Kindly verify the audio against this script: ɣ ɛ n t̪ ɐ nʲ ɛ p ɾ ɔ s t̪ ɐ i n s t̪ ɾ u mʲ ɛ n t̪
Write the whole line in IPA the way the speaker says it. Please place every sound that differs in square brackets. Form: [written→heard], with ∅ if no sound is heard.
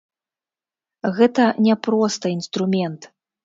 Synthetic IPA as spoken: ɣ ɛ [n→∅] t̪ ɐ nʲ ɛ p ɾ ɔ s t̪ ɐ i n s t̪ ɾ u mʲ ɛ n t̪